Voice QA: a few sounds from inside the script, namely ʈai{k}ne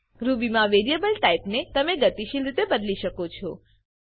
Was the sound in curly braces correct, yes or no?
no